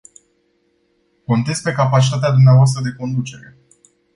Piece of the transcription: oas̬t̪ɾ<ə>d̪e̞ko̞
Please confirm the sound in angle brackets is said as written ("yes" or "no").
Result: yes